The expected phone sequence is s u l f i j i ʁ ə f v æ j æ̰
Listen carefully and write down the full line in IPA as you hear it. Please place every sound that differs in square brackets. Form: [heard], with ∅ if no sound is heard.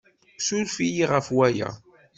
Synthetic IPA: s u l f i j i ʁ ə f [w] æ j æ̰

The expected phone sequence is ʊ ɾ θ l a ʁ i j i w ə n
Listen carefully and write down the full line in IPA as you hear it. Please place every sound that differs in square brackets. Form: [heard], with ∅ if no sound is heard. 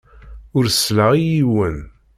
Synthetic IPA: ʊ ɾ [s] l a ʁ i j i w ə n

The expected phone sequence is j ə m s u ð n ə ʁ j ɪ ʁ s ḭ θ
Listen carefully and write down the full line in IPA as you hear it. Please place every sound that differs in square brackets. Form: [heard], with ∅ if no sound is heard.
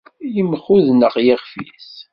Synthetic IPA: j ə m [χ] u ð n ə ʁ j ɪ ʁ [f] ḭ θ

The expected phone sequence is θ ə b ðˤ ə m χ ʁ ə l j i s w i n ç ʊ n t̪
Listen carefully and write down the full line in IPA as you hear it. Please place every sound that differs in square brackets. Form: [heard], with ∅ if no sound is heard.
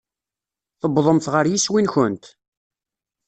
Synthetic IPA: θ ə b ðˤ ə m [θ] ʁ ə [ɾ] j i s w i n ç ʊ n t̪

